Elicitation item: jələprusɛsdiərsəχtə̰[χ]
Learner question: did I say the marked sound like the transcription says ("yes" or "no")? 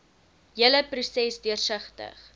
yes